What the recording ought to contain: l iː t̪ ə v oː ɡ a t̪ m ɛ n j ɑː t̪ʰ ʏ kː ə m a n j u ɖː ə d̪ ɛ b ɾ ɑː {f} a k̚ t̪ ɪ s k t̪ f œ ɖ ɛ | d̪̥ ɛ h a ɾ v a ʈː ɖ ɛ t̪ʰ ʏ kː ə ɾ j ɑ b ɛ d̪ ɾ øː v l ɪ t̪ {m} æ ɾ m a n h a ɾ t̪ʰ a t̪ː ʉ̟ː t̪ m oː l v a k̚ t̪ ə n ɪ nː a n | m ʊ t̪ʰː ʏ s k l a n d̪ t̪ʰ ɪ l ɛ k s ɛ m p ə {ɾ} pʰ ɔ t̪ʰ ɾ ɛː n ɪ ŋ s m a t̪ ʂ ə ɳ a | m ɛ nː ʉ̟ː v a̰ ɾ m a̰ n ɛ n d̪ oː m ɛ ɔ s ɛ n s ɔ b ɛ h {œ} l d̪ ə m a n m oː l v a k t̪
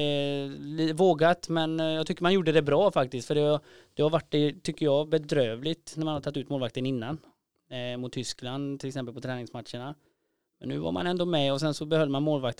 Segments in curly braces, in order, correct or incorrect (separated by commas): correct, incorrect, incorrect, correct